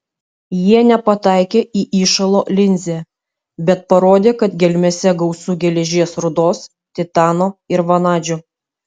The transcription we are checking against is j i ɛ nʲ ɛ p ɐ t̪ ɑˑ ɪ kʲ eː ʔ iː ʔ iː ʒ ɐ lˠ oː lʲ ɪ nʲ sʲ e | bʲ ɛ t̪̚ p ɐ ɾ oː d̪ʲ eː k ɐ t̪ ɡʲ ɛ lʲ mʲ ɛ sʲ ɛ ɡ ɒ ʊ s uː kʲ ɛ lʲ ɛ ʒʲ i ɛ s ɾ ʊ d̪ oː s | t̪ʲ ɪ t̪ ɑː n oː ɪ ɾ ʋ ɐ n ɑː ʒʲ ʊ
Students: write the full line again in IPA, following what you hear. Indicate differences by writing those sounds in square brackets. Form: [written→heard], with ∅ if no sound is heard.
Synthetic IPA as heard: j i ɛ nʲ ɛ p ɐ t̪ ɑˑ ɪ kʲ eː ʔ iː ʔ iː [ʒ→ʃ] ɐ lˠ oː lʲ ɪ nʲ [sʲ→zʲ] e | bʲ ɛ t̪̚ p ɐ ɾ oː d̪ʲ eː k ɐ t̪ ɡʲ ɛ lʲ mʲ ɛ sʲ ɛ ɡ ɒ ʊ s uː [kʲ→ɡʲ] ɛ lʲ ɛ ʒʲ i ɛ s ɾ ʊ d̪ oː s | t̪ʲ ɪ t̪ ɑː n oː ɪ ɾ ʋ ɐ n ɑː [ʒʲ→d͡ʒʲ] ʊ